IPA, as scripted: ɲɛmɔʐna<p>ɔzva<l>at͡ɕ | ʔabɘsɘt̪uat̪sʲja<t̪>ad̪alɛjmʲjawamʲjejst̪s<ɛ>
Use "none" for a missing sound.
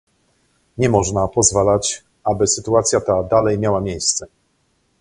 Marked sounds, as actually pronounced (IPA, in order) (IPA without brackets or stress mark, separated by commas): p, l, t̪, ɛ